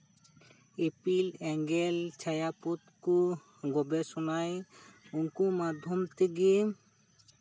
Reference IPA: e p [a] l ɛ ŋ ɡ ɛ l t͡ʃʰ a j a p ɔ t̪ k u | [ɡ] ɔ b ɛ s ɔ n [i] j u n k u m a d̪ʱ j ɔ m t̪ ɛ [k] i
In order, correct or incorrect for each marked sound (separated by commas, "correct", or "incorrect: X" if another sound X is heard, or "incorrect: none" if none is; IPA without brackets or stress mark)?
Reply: incorrect: i, correct, incorrect: a, incorrect: ɡ